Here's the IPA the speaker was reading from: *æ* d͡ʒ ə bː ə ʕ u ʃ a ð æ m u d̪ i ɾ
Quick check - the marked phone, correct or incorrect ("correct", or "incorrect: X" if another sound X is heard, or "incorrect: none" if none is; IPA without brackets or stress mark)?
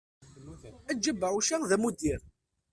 correct